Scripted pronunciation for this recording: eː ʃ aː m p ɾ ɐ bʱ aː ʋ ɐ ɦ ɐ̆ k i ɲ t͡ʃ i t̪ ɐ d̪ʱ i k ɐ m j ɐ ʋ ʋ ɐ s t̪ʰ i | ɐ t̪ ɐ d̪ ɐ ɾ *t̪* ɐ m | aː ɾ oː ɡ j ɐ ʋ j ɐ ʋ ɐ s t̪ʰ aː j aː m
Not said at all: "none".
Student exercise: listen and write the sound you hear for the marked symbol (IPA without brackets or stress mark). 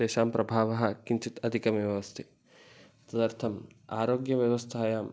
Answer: t̪ʰ